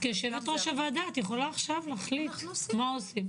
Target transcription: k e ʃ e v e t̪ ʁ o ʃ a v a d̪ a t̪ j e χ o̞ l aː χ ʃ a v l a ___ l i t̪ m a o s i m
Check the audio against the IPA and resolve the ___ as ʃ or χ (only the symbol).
χ